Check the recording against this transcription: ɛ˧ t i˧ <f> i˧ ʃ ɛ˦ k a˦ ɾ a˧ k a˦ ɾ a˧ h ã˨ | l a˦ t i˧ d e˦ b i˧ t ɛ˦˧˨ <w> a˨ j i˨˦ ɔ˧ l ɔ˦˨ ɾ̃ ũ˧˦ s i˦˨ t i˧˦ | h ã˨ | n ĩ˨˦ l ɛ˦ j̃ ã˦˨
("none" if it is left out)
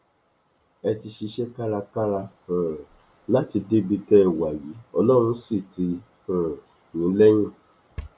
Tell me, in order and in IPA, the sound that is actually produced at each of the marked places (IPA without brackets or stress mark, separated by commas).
ʃ, w